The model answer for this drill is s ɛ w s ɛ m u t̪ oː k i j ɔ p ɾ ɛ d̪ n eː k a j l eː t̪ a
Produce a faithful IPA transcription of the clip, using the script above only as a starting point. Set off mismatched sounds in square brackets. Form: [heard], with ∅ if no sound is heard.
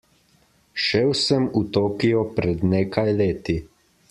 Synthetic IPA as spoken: [ʃ] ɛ w s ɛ m u t̪ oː k i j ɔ p ɾ ɛ d̪ n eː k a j l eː t̪ [i]